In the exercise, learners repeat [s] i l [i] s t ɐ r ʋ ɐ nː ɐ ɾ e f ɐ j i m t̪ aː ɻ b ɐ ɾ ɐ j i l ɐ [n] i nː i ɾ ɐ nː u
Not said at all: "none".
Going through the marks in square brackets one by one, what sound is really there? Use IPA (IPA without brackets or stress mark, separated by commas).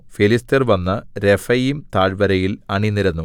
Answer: f, i, ɳ